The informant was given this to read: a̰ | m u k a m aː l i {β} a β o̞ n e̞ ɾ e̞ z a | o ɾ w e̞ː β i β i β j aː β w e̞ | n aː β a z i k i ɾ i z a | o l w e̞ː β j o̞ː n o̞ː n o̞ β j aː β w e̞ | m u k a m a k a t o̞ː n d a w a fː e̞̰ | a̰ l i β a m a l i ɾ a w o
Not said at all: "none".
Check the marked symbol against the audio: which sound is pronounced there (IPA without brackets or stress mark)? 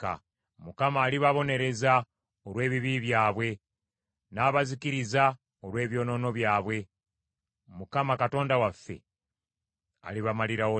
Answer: β